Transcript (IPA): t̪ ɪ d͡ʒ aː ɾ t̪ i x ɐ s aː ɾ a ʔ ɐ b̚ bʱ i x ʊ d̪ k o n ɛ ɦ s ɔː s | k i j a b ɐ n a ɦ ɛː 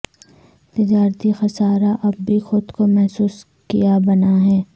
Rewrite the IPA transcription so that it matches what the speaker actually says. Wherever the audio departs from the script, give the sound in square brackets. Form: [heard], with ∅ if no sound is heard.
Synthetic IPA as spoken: t̪ ɪ d͡ʒ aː ɾ t̪ i x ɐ s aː ɾ a ʔ ɐ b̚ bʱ i x ʊ d̪ k o [m] ɛ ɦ s [uː] s | k i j a b ɐ n a ɦ ɛː